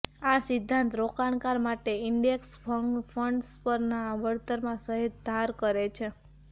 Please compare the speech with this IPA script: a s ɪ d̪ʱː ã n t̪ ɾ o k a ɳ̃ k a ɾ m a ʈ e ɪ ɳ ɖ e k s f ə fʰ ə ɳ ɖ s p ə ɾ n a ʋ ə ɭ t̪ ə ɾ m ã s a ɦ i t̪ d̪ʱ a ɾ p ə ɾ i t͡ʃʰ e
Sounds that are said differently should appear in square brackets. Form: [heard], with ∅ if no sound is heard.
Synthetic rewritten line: a s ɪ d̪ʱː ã n t̪ ɾ o k a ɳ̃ k a ɾ m a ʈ e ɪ ɳ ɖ e k s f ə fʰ ə ɳ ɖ s p ə ɾ n a ʋ ə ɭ t̪ ə ɾ m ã s [ə] ɦ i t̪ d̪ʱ a ɾ [k] ə ɾ [e] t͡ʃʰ e

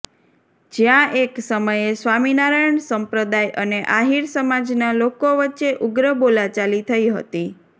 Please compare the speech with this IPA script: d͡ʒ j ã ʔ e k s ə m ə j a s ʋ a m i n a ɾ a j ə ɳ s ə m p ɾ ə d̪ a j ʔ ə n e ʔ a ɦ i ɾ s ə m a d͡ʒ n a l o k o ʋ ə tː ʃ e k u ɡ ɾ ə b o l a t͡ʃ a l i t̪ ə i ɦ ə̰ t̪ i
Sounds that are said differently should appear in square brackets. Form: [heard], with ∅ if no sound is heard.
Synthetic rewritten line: d͡ʒ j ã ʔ e k s ə m ə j [e] s ʋ a m i n a ɾ a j ə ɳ s ə m p ɾ ə d̪ a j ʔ ə n e ʔ a ɦ i ɾ s ə m a d͡ʒ n a l o k o ʋ ə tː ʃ e [ʔ] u ɡ ɾ ə b o l a t͡ʃ a l i [t̪ʰ] ə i ɦ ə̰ t̪ i

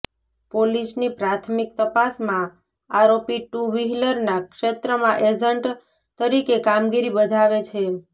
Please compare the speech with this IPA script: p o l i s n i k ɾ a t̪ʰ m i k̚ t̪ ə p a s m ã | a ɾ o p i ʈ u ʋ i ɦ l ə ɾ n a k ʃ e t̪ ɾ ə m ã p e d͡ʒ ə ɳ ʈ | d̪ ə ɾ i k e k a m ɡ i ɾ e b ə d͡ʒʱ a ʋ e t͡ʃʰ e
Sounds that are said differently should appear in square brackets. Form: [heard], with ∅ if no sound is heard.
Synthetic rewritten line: p o l i s n i [p] ɾ a t̪ʰ m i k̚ t̪ ə p a s m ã | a ɾ o p i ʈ u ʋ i ɦ l ə ɾ n a k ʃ e t̪ ɾ ə m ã [ʔ] e d͡ʒ ə ɳ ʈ | [t̪] ə ɾ i k e k a m ɡ i ɾ [i] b ə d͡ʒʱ a ʋ e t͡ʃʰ e

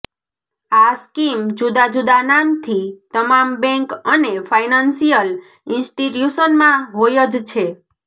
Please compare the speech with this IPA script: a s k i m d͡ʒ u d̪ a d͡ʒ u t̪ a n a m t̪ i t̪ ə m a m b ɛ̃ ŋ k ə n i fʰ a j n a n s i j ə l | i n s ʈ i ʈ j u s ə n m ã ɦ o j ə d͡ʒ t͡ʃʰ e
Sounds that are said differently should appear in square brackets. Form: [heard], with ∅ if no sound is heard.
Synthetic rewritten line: a s k i m d͡ʒ u d̪ a d͡ʒ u [d̪] a n a m [t̪ʰ] i t̪ ə m a m b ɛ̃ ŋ k ə n [e] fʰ a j n a n s i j ə l | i n s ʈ i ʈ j u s ə n m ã ɦ o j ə d͡ʒ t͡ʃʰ e

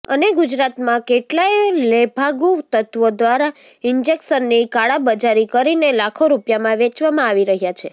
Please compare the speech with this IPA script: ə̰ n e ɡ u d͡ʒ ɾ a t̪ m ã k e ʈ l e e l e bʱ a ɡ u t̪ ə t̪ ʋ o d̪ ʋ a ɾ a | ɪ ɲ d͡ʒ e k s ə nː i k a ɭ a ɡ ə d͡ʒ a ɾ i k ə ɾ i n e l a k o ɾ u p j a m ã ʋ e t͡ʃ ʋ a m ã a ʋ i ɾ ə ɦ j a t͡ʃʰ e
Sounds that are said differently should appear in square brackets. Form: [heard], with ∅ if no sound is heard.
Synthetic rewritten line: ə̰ n e ɡ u d͡ʒ ɾ a t̪ m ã k e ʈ l [a] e l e bʱ a ɡ u t̪ ə t̪ ʋ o d̪ ʋ a ɾ a | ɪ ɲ d͡ʒ e k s ə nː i k a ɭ a [b] ə d͡ʒ a ɾ i k ə ɾ i n e l a [kʰ] o ɾ u p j a m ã ʋ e t͡ʃ ʋ a m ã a ʋ i ɾ ə ɦ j a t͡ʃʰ e

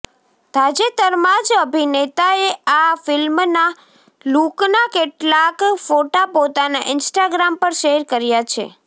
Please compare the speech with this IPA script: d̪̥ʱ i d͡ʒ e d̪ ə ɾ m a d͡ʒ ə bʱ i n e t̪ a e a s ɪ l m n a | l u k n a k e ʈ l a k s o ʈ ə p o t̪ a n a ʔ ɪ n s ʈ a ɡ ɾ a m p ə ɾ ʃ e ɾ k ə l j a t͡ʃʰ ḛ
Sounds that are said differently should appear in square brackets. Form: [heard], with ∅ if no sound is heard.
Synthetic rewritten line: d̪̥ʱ [a] d͡ʒ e [t̪] ə ɾ m a d͡ʒ ə bʱ i n e t̪ a e a [f] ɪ l m n a | l u k n a k e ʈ l a k [f] o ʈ [a] p o t̪ a n a ʔ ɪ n s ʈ a ɡ ɾ a m p ə ɾ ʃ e ɾ k ə [ɾ] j a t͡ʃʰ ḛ

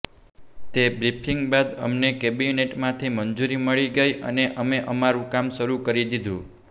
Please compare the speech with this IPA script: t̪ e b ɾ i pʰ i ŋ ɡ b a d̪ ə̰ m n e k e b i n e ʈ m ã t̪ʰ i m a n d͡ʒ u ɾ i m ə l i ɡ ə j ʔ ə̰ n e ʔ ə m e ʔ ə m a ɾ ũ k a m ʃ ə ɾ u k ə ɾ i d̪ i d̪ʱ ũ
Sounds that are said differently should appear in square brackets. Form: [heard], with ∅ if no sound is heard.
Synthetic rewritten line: t̪ e b ɾ i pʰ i ŋ ɡ b a d̪ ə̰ m n e k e b i n e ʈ m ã t̪ʰ i m [ə] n d͡ʒ u ɾ i m ə [ɭ] i ɡ ə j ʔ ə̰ n e ʔ ə m e ʔ ə m a ɾ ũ k a m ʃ ə ɾ u k ə ɾ i d̪ i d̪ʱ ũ

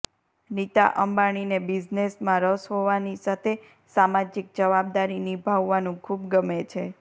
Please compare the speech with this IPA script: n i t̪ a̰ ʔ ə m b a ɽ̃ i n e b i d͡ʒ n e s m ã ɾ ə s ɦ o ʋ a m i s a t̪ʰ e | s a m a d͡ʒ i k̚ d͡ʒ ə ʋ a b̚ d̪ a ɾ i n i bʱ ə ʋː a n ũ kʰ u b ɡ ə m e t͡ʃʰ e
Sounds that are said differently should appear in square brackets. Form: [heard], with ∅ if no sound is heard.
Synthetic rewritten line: n i t̪ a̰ ʔ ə m b a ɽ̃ i n e b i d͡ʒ n e s m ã ɾ ə s ɦ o ʋ a [n] i s a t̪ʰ e | s a m a d͡ʒ i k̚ d͡ʒ ə ʋ a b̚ d̪ a ɾ i n i bʱ [a] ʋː a n ũ kʰ u b ɡ ə m e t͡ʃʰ e

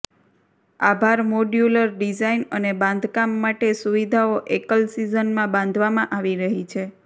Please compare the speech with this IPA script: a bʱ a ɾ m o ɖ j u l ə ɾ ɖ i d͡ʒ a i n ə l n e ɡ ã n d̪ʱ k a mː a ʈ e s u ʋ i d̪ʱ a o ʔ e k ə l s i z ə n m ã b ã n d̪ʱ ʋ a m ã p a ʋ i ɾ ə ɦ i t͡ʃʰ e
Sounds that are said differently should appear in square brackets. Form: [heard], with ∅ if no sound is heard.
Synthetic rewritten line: a bʱ a ɾ m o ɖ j u l ə ɾ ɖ i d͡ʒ a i n ə [∅] n e [b] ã n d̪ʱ k a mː a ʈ e s u ʋ i d̪ʱ a o ʔ e k ə l s i z ə n m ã b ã n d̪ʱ ʋ a m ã [ʔ] a ʋ i ɾ ə ɦ i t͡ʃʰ e

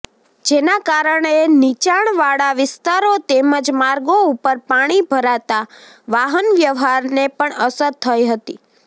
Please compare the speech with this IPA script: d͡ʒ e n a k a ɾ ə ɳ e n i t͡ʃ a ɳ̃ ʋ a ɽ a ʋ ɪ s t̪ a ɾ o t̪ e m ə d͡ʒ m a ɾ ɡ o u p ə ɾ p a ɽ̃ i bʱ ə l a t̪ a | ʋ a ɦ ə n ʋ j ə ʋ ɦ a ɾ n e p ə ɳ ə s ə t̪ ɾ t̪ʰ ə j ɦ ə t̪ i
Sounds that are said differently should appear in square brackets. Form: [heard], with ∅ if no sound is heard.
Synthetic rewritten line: d͡ʒ e n a k a ɾ ə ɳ e n i t͡ʃ a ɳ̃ ʋ a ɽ a ʋ ɪ s t̪ a ɾ o t̪ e m ə d͡ʒ m a ɾ ɡ o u p ə ɾ p a ɽ̃ i bʱ ə [ɾ] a t̪ a | ʋ a ɦ ə n ʋ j ə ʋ ɦ a ɾ n e p ə ɳ ə s ə [∅] ɾ t̪ʰ ə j ɦ ə t̪ i

